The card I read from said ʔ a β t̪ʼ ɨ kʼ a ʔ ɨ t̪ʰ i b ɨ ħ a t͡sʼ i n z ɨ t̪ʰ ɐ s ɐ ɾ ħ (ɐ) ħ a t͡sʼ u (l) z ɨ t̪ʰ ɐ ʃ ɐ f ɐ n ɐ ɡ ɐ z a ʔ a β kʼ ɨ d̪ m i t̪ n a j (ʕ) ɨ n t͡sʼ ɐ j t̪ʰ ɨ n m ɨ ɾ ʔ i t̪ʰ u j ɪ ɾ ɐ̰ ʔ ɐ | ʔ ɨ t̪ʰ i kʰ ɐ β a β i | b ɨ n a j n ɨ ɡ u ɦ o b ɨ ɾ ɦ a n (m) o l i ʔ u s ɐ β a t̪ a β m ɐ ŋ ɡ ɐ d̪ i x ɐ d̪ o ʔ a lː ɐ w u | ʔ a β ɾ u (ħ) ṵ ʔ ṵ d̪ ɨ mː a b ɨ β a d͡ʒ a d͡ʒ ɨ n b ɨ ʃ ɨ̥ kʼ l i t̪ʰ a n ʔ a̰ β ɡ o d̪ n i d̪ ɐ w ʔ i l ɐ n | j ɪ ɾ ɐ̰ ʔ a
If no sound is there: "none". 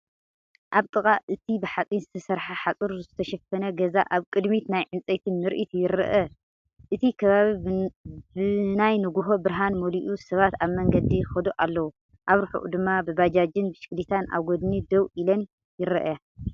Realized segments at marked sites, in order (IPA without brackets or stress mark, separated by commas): a, ɾ, ʕ, m, ħ